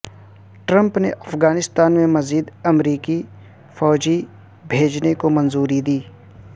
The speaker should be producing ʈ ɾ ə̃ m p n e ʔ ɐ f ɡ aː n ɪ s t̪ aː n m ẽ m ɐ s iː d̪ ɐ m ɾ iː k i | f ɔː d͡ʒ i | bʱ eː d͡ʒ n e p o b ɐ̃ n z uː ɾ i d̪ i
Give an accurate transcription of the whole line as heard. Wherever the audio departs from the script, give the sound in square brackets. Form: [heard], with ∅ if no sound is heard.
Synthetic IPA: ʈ ɾ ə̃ m p n e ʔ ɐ f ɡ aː n ɪ s t̪ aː n m ẽ m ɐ [z] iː d̪ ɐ m ɾ iː k i | f ɔː d͡ʒ i | bʱ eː d͡ʒ n e [k] o [m] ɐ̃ n z uː ɾ i d̪ [iː]

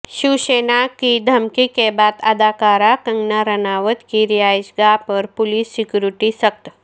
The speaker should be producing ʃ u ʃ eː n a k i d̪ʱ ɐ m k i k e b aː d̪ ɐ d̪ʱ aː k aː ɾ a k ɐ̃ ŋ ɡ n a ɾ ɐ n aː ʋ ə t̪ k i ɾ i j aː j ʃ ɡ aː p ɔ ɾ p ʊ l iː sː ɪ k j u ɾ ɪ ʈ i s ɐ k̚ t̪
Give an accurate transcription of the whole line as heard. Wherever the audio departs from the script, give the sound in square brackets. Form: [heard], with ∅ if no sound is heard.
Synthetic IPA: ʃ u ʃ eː n a k i d̪ʱ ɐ m k i k e b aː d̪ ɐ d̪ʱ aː k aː ɾ a k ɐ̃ ŋ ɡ n a ɾ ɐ n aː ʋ ə t̪ k i ɾ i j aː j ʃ ɡ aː p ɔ ɾ p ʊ l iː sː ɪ k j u ɾ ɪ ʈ i s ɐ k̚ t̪

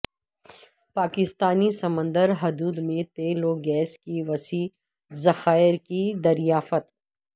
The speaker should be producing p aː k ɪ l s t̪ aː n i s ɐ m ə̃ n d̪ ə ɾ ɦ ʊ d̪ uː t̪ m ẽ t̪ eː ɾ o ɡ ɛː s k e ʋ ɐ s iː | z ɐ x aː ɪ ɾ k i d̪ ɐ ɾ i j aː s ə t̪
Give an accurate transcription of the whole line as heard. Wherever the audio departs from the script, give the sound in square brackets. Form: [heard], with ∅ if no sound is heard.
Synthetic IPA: p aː k ɪ [∅] s t̪ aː n i s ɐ m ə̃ n d̪ ə ɾ ɦ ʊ d̪ uː [d̪] m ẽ t̪ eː [l] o ɡ ɛː s k [i] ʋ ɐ s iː | z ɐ x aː ɪ ɾ k i d̪ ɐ ɾ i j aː [f] ə t̪

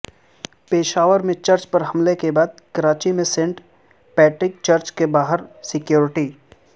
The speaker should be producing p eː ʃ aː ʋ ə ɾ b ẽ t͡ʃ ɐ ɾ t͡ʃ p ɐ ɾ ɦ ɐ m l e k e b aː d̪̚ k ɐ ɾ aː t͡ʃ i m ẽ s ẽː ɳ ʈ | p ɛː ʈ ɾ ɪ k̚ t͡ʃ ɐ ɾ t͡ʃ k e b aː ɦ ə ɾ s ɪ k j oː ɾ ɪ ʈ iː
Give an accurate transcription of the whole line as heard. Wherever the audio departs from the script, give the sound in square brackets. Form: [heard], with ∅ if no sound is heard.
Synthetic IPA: p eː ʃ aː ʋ ə ɾ [m] ẽ t͡ʃ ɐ ɾ t͡ʃ p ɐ ɾ ɦ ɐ m l e k e b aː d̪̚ k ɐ ɾ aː t͡ʃ i m ẽ s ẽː ɳ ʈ | p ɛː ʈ ɾ ɪ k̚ t͡ʃ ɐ ɾ t͡ʃ k e b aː ɦ ə ɾ s ɪ k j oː ɾ ɪ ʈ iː

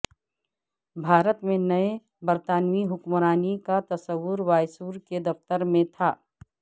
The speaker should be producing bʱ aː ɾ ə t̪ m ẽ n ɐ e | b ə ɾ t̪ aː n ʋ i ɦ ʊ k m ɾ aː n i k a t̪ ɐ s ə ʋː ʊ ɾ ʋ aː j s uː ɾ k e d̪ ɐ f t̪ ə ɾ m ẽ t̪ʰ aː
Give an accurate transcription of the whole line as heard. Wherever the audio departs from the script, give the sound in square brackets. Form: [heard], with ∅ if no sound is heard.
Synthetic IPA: bʱ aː ɾ ə t̪ m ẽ n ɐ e | b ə ɾ t̪ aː n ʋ i ɦ ʊ k m ɾ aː n i k a t̪ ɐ s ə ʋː ʊ ɾ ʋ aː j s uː ɾ k e d̪ ɐ f t̪ ə ɾ m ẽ t̪ʰ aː

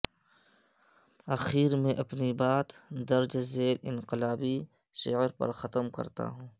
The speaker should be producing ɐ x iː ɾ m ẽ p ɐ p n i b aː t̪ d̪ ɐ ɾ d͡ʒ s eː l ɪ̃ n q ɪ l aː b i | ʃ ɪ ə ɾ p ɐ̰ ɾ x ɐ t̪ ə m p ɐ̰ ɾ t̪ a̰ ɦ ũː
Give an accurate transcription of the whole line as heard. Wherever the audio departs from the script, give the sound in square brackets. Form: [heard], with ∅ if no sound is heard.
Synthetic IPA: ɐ x iː ɾ m ẽ [ʔ] ɐ p n i b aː t̪ d̪ ɐ ɾ d͡ʒ [z] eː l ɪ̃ n q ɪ l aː b i | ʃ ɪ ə ɾ p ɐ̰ ɾ x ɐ t̪ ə m [k] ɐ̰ ɾ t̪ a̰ ɦ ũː

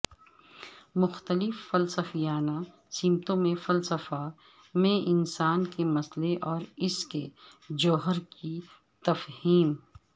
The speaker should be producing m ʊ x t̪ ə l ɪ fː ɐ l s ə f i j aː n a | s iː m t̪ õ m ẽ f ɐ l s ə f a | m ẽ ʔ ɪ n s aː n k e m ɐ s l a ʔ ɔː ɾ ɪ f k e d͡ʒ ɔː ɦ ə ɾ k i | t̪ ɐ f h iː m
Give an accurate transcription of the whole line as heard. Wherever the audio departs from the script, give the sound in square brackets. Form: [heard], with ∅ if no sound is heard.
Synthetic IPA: m ʊ x t̪ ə l ɪ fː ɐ l s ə f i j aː n a | s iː m t̪ õ m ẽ f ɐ l s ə f a | m ẽ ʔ ɪ n s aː n k e m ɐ s l [e] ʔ ɔː ɾ ɪ [s] k e d͡ʒ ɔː ɦ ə ɾ k i | t̪ ɐ f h iː m

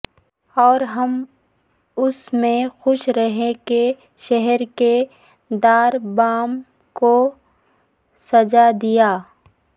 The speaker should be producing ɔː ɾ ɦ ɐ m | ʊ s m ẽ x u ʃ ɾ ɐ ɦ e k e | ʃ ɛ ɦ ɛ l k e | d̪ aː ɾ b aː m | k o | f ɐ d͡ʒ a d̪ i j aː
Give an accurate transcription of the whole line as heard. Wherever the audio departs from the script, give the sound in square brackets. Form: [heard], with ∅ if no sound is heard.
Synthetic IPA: ɔː ɾ ɦ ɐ m | ʊ s m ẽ x [ʊ] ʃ ɾ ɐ ɦ e k e | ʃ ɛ ɦ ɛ [ɾ] k e | d̪ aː ɾ b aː m | k o | [s] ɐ d͡ʒ a d̪ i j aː

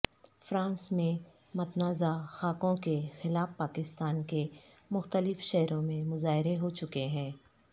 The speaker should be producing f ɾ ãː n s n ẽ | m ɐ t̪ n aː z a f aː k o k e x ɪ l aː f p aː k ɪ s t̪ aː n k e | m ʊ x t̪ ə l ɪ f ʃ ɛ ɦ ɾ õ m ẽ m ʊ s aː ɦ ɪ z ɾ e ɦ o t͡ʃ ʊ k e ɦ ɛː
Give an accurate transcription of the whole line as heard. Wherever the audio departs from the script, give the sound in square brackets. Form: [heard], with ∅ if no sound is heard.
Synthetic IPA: f ɾ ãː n s [m] ẽ | m ɐ t̪ n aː z a [x] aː k [õ] k e x ɪ l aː f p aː k ɪ s t̪ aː n k e | m ʊ x t̪ ə l ɪ f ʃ ɛ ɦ ɾ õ m ẽ m ʊ [z] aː ɦ ɪ [∅] ɾ e ɦ o t͡ʃ ʊ k e ɦ [ɛ̃ː]

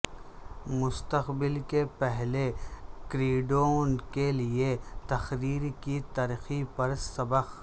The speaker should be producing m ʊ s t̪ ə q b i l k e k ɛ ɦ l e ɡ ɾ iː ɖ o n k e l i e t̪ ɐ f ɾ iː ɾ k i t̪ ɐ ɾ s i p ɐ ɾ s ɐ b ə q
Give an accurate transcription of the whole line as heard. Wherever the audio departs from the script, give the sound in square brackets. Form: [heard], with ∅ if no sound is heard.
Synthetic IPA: m ʊ s t̪ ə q b [ɪ] l k e [p] ɛ ɦ l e [k] ɾ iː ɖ o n k e l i e t̪ ɐ [x] ɾ iː ɾ k i t̪ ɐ ɾ [x] i p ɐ ɾ s ɐ b ə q

